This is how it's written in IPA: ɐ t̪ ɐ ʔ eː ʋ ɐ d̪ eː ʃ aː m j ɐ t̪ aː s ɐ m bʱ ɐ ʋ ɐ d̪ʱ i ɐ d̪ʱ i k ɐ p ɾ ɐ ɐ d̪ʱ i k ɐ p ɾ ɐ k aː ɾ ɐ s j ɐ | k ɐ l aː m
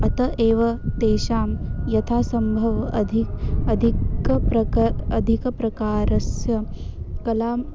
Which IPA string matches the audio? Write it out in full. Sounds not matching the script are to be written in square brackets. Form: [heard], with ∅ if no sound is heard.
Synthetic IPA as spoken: ɐ t̪ ɐ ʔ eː ʋ ɐ [t̪] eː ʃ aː m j ɐ [t̪ʰ] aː s ɐ m bʱ ɐ ʋ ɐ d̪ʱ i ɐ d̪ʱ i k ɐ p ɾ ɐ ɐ d̪ʱ i k ɐ p ɾ ɐ k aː ɾ ɐ s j ɐ | k ɐ l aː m